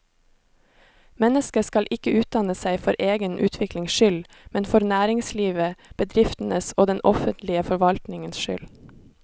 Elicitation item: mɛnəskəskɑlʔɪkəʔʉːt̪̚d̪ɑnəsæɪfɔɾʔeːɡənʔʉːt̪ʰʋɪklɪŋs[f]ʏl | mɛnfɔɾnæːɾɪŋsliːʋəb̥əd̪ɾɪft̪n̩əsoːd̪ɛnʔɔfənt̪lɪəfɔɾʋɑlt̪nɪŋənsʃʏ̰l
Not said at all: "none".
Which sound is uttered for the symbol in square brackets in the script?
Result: ʃ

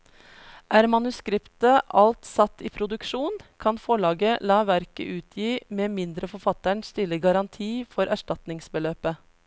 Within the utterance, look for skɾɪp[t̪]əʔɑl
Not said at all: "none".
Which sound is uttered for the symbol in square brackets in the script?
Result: t̪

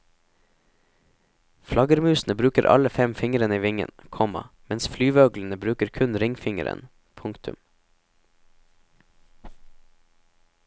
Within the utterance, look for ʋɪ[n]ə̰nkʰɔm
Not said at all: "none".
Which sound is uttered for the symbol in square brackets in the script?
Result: ŋ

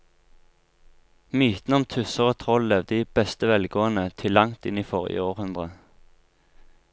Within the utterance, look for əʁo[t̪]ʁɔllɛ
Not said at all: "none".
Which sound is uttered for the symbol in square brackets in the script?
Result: t̪ʰ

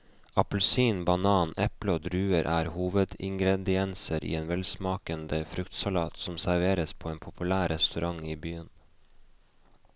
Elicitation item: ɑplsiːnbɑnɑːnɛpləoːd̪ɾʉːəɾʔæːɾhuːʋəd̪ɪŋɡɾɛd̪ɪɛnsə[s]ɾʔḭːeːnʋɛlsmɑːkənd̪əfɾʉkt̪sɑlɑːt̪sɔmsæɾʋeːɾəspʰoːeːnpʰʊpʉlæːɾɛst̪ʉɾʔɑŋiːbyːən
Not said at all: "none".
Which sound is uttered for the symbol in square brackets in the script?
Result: none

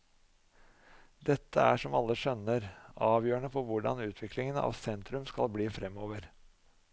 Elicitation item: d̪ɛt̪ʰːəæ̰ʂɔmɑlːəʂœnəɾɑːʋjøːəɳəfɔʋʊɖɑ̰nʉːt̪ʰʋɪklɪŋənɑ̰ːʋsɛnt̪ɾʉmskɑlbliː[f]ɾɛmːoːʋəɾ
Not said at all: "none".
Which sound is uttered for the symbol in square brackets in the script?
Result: f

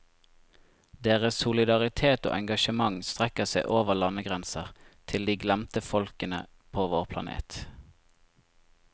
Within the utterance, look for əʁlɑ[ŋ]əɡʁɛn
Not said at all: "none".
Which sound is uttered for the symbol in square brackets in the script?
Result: n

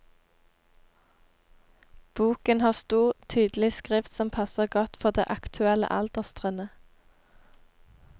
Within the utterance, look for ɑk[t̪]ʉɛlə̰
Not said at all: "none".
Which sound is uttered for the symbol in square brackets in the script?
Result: t̪ʰ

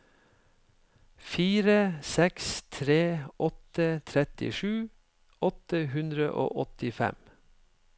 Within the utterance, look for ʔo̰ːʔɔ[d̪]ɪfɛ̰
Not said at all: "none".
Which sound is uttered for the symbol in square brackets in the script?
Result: t̪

